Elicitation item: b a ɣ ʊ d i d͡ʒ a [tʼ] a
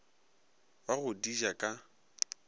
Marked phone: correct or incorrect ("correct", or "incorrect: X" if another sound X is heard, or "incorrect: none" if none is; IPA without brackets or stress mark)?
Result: incorrect: kʼ